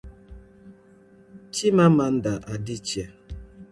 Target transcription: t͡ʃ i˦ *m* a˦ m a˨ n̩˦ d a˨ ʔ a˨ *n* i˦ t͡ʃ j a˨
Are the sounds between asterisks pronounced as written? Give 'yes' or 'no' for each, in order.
yes, no

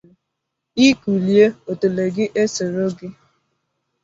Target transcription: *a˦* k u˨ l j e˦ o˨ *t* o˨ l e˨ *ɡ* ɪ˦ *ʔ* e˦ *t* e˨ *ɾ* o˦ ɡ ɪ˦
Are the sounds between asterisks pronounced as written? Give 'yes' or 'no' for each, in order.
no, yes, yes, yes, no, yes

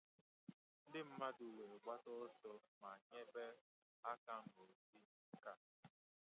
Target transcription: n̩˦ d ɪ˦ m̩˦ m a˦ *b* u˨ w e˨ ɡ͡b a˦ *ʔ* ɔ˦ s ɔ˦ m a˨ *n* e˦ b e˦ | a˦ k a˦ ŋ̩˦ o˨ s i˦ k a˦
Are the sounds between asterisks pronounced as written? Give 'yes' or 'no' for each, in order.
no, no, no

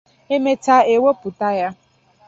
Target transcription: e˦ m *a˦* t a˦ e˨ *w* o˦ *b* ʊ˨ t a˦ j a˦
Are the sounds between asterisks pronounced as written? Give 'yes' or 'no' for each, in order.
no, yes, no

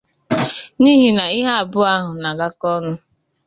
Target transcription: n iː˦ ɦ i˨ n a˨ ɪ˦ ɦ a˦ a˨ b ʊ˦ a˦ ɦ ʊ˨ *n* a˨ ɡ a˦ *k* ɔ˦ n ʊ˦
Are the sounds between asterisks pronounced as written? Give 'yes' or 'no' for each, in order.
yes, yes

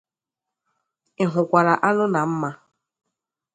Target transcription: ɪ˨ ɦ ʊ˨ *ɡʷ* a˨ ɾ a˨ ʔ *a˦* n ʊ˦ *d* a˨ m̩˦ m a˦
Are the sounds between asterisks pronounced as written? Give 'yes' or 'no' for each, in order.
no, yes, no

